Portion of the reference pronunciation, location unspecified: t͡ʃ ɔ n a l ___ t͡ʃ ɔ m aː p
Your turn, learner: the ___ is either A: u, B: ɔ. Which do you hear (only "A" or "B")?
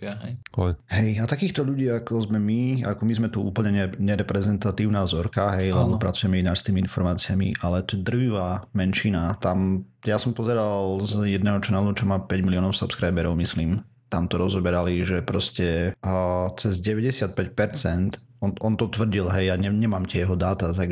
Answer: A